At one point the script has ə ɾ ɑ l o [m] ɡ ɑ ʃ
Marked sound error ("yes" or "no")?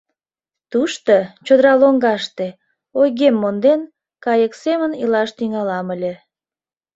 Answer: yes